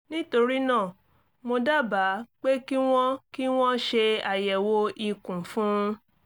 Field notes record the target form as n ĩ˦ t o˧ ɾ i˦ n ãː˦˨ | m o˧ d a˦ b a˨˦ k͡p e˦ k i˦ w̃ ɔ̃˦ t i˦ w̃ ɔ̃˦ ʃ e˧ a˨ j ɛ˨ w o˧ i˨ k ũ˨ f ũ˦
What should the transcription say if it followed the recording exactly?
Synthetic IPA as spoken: n ĩ˦ t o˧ ɾ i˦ n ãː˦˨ | m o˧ d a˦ b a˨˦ k͡p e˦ k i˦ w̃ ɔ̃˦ k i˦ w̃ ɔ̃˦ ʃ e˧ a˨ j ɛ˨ w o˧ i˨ k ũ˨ f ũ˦